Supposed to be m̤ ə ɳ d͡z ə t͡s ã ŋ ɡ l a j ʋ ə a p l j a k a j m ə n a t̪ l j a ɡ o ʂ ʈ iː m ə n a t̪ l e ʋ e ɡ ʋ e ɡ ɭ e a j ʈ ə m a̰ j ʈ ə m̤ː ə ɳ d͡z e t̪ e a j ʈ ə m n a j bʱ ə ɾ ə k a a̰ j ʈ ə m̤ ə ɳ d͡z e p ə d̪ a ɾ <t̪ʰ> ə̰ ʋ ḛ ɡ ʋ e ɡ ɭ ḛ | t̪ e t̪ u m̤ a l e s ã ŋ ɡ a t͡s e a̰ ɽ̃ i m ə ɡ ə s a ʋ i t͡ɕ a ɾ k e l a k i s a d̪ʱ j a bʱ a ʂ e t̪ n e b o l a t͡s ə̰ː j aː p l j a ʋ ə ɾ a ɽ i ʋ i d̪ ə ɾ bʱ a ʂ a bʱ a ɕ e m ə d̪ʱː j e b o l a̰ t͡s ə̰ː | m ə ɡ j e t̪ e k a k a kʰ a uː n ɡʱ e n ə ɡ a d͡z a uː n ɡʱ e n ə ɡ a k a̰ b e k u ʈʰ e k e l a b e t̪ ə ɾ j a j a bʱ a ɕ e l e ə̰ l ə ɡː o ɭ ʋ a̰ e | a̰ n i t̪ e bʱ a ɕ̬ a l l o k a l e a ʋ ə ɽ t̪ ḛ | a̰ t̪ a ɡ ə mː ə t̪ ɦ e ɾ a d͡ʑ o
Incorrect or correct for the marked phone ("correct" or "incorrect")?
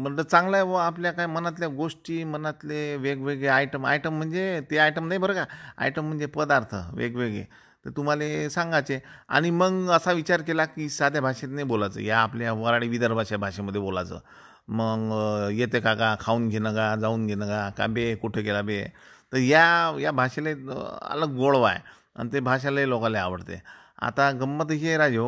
correct